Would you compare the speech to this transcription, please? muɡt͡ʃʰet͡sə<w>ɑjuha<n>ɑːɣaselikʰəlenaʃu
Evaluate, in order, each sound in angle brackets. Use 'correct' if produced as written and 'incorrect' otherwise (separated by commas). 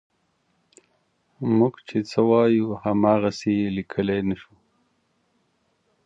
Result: correct, incorrect